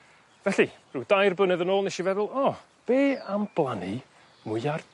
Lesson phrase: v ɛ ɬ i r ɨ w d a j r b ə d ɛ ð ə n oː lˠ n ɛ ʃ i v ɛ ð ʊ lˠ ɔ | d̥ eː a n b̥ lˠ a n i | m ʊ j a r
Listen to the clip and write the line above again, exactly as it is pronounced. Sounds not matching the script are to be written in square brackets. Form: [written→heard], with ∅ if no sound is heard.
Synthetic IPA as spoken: v ɛ ɬ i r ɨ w d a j r b ə [d→n] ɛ ð ə n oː lˠ n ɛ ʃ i v ɛ ð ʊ lˠ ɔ | [d̥→b̥] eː a [n→m] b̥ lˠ a n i | m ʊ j a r